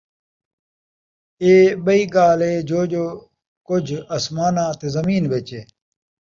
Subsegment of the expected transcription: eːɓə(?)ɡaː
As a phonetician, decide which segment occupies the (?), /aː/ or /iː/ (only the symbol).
iː